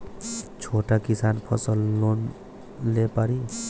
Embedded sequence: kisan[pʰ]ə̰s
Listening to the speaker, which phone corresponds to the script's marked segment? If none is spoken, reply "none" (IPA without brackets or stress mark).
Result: pʰ